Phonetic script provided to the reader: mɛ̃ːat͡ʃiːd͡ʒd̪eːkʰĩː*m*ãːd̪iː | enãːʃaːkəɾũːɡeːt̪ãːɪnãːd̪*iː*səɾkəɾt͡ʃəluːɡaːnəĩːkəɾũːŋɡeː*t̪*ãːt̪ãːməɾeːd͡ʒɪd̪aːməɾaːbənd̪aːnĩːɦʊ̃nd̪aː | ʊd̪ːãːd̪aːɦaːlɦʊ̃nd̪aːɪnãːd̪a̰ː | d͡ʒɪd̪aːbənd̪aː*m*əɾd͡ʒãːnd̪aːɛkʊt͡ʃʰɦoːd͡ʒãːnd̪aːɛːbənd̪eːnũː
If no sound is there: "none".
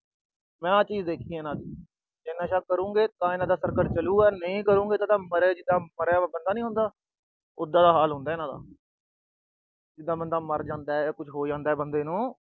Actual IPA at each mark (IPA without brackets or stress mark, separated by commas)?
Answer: n, aː, t̪, m